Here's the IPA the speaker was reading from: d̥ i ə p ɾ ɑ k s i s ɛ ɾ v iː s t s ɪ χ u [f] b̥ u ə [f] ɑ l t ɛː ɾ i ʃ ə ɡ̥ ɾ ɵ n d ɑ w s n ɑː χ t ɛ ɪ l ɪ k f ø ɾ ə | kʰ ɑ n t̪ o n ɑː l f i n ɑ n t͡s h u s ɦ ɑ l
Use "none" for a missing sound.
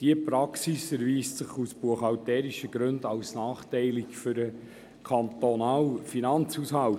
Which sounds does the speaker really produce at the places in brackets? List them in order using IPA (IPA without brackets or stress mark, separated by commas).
s, χ